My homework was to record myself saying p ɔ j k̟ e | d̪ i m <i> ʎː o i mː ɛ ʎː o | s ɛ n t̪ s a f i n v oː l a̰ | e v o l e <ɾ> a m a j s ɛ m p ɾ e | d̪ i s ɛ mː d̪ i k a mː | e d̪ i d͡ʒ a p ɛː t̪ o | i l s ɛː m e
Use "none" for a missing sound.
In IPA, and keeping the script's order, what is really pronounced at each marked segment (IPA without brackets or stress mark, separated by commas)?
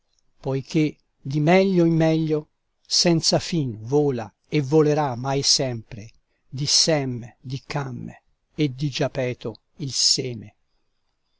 ɛ, ɾ